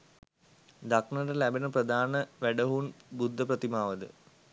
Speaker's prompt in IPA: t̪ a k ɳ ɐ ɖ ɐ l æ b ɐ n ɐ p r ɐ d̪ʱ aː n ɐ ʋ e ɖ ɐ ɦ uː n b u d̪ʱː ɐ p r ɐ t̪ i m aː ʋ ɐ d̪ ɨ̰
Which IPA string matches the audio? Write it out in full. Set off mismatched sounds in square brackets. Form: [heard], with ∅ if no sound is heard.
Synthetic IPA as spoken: [d̪] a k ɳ ɐ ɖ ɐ l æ b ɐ n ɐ p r ɐ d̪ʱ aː n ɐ ʋ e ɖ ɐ ɦ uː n b u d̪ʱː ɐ p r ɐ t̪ i m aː ʋ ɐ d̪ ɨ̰